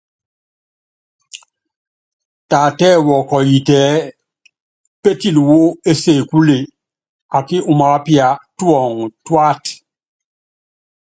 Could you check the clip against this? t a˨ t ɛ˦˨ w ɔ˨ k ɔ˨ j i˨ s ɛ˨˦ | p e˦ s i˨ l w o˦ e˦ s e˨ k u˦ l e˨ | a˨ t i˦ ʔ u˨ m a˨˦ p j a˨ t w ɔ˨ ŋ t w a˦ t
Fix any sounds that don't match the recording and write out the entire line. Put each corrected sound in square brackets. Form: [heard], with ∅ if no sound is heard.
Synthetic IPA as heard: t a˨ t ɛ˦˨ w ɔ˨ k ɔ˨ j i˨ [t] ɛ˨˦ | p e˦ [t] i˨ l w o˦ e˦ s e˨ k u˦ l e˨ | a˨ [k] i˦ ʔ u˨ m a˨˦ p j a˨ t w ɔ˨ ŋ t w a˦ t